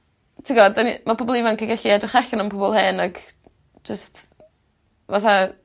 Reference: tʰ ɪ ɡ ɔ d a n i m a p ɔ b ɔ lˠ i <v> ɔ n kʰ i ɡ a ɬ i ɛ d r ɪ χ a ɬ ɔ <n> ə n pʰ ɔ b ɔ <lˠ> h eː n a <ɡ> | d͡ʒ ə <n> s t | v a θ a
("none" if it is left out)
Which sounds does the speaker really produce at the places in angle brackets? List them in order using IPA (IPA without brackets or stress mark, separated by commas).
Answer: v, n, lˠ, ɡ, none